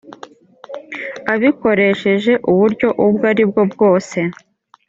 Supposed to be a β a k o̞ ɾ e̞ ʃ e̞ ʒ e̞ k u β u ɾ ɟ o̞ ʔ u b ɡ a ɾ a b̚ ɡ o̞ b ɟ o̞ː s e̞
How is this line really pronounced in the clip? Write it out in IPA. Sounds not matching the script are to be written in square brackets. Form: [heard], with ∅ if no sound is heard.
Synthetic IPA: a β [i] k o̞ ɾ e̞ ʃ e̞ ʒ e̞ [ʔ] u β u ɾ ɟ o̞ ʔ u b ɡ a ɾ [i] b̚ ɡ o̞ b [ɡ] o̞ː s e̞